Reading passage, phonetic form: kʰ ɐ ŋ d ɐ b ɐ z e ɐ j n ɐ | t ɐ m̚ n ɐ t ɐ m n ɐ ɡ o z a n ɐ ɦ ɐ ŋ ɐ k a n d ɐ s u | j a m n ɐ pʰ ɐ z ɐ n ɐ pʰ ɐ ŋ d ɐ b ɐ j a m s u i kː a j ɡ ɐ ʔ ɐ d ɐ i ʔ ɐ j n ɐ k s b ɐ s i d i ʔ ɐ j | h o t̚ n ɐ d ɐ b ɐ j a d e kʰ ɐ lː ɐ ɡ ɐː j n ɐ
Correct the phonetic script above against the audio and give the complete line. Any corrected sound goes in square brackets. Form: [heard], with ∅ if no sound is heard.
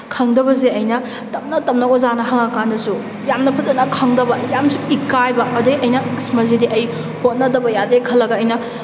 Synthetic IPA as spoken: kʰ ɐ ŋ d ɐ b ɐ z e ɐ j n ɐ | t ɐ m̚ n ɐ t ɐ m n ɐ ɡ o z a n ɐ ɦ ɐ ŋ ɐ k a n d ɐ s u | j a m n ɐ pʰ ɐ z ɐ n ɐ [kʰ] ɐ ŋ d ɐ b ɐ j a m s u i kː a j [b] ɐ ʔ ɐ d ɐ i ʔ ɐ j n ɐ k s [m] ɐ [z] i d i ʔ ɐ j | h o t̚ n ɐ d ɐ b ɐ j a d e kʰ ɐ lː ɐ ɡ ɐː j n ɐ